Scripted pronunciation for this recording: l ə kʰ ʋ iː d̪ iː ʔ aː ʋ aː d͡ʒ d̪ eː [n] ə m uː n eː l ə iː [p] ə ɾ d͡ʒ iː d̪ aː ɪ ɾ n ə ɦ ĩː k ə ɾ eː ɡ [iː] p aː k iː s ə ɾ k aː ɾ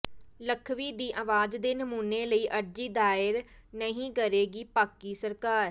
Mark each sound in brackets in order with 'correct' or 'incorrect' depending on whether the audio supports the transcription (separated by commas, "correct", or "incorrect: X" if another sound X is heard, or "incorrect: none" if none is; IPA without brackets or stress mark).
correct, incorrect: ʔ, correct